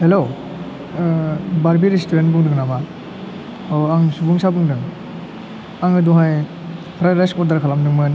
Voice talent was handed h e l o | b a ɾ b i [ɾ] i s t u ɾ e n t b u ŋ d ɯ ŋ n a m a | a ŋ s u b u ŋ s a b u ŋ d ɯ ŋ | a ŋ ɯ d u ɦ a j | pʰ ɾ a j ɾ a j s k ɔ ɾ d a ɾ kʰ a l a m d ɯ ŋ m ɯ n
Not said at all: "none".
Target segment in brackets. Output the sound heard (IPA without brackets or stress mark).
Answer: ɾ